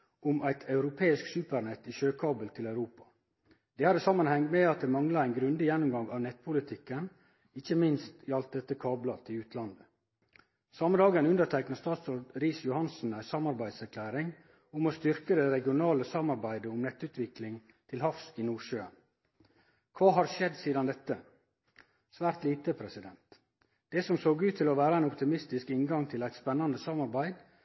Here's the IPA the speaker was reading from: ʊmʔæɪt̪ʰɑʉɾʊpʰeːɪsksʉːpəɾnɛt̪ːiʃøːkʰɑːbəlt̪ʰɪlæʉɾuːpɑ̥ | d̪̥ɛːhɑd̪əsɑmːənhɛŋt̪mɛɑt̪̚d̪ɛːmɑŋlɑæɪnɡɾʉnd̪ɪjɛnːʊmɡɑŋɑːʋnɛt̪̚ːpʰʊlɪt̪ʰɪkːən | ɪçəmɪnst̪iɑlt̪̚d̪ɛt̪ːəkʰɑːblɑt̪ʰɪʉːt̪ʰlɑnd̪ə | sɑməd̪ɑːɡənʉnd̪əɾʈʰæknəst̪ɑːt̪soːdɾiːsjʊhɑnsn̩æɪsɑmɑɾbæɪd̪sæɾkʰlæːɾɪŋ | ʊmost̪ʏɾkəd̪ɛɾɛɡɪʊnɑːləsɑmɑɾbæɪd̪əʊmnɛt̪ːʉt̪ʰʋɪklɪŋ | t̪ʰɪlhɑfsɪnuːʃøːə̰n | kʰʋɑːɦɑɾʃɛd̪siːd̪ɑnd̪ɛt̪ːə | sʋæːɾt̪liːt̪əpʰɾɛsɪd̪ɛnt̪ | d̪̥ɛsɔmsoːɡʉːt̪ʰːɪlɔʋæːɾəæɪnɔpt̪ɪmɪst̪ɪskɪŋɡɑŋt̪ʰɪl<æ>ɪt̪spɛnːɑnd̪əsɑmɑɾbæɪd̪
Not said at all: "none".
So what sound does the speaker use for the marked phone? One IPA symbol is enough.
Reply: æ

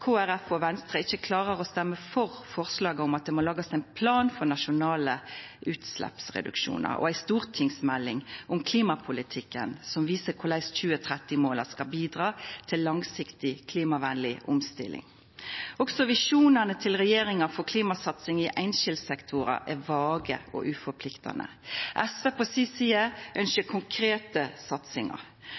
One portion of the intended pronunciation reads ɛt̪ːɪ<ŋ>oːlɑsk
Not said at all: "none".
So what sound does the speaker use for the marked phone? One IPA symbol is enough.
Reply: m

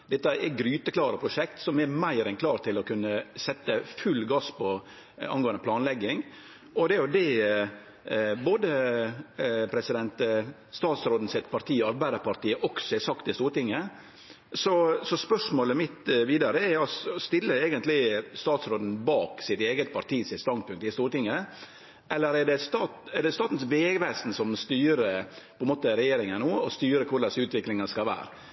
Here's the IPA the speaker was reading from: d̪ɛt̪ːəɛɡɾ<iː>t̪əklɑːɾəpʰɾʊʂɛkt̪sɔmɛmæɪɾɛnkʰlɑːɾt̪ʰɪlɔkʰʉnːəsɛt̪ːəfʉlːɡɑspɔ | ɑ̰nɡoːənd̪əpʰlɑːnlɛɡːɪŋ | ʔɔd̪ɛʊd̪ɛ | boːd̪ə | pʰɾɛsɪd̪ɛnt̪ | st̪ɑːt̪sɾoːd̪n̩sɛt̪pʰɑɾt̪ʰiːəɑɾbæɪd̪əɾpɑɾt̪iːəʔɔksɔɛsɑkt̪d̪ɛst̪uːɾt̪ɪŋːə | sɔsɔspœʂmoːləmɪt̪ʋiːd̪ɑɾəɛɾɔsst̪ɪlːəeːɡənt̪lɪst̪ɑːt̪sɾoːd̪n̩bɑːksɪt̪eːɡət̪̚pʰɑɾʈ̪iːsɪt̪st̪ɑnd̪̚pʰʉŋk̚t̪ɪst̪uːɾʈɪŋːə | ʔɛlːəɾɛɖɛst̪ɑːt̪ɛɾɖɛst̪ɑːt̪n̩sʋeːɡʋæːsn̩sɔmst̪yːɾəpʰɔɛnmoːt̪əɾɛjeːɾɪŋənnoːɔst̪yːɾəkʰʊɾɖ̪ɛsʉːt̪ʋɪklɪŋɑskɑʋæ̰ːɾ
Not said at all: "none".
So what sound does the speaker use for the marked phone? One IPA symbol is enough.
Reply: yː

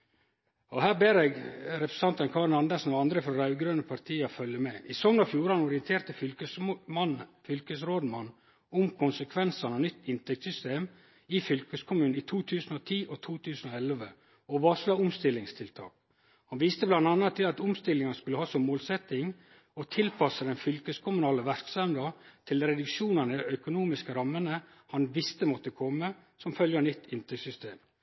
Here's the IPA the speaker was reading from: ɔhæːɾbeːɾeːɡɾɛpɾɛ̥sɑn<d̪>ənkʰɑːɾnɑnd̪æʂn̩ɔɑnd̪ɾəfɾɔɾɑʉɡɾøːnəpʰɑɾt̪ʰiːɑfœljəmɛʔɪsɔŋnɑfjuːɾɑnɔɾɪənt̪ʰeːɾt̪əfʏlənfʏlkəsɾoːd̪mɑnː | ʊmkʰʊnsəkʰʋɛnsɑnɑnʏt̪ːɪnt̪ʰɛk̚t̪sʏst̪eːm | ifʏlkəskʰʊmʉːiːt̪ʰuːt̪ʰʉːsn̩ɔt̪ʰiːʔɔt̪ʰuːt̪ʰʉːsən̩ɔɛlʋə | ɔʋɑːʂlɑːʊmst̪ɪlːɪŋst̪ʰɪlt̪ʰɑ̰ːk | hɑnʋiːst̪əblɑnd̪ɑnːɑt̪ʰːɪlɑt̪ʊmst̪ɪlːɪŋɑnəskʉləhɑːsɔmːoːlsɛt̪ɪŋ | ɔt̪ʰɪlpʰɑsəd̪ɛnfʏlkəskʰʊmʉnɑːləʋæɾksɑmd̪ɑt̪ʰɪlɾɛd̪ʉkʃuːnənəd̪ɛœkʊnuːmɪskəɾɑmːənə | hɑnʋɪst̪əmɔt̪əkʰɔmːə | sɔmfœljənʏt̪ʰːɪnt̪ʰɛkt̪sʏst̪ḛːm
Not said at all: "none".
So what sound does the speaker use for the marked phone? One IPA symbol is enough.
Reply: t̪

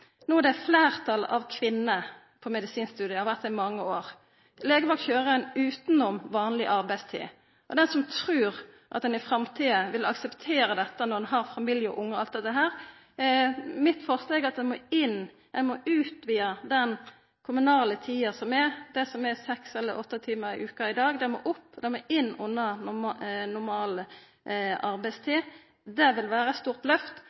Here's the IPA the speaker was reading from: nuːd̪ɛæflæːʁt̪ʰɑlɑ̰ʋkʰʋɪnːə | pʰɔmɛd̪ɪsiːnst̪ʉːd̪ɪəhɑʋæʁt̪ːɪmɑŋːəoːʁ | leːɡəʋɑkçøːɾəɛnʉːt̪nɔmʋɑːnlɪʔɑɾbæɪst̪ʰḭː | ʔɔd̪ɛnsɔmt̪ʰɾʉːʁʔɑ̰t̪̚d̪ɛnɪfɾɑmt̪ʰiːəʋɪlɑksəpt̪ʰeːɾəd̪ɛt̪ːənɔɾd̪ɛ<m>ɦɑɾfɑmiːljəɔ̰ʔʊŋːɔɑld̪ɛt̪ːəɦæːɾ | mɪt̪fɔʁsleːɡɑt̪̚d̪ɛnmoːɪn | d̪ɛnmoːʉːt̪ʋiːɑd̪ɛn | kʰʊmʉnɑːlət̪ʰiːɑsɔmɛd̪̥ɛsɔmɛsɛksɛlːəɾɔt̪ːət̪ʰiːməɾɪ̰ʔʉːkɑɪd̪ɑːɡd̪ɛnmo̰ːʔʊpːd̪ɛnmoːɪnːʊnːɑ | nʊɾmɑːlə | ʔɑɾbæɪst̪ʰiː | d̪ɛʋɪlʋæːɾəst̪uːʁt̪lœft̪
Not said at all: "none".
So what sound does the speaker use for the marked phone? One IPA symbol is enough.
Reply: n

